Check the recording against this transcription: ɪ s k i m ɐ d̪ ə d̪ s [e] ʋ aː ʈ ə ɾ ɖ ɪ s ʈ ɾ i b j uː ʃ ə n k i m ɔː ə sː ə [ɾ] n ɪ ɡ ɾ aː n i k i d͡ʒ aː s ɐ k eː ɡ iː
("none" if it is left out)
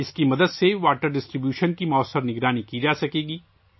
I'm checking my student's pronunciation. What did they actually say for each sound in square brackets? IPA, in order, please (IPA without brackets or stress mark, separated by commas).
e, ɾ